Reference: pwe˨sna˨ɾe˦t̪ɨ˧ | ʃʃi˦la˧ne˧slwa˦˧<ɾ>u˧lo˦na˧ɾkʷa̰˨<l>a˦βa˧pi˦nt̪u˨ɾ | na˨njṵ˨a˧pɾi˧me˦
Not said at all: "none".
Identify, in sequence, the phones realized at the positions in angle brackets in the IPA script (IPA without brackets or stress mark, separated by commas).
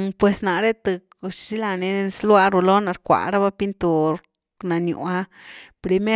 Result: ɾ, ɾ